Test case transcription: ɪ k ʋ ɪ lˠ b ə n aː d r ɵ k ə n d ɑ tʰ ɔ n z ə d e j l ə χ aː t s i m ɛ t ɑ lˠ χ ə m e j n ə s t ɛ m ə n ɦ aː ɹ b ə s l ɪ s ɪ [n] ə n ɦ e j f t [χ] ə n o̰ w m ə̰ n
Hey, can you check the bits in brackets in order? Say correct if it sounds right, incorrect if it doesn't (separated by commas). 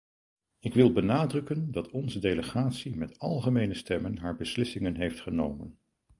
incorrect, correct